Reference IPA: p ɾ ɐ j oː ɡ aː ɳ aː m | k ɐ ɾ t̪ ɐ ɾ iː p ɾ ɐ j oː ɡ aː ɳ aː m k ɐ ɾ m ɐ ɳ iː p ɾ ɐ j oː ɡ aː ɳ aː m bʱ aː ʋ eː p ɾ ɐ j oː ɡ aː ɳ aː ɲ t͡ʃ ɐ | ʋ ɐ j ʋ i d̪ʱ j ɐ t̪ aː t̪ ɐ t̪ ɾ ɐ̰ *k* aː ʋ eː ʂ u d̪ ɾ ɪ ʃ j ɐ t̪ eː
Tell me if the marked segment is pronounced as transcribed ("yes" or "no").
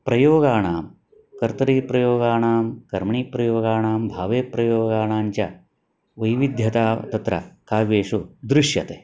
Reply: yes